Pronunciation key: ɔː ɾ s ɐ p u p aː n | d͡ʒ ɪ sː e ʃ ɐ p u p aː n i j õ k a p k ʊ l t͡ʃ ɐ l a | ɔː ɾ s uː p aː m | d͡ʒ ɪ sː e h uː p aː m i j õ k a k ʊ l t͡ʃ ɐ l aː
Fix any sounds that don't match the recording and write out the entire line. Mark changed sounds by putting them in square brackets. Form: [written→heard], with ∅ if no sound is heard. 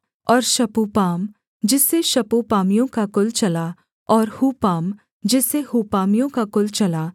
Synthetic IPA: ɔː ɾ [s→ʃ] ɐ p u p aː [n→m] | d͡ʒ ɪ sː e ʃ ɐ p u p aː [n→m] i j õ k a [p→∅] k ʊ l t͡ʃ ɐ l a | ɔː ɾ [s→h] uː p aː m | d͡ʒ ɪ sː e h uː p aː m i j õ k a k ʊ l t͡ʃ ɐ l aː

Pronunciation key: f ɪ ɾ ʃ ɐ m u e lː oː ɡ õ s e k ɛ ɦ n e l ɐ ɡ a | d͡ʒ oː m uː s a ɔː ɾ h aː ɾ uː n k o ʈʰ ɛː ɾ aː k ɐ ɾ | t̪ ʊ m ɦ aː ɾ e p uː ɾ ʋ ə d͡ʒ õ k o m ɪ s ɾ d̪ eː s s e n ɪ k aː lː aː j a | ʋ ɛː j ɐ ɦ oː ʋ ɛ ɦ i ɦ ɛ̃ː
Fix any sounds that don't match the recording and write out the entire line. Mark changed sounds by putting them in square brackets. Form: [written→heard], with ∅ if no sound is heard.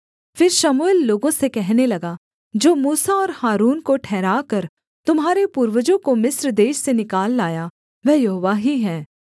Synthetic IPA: f ɪ ɾ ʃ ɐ m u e lː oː ɡ õ s e k ɛ ɦ n e l ɐ ɡ a | d͡ʒ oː m uː s a ɔː ɾ h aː ɾ uː n k o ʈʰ ɛː ɾ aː k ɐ ɾ | t̪ ʊ m ɦ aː ɾ e p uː ɾ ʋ ə d͡ʒ õ k o m ɪ s ɾ d̪ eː [s→ʃ] s e n ɪ k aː lː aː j a | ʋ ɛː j ɐ ɦ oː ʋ [ɛ→a] ɦ i ɦ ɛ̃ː

